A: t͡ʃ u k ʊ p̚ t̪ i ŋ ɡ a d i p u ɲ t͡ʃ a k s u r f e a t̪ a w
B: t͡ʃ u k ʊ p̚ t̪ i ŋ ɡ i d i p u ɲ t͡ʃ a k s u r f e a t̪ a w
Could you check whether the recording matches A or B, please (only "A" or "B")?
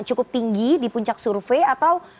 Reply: B